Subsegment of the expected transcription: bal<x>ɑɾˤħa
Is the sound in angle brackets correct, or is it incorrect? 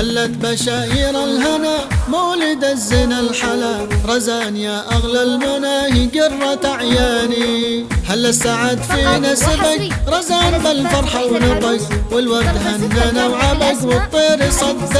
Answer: incorrect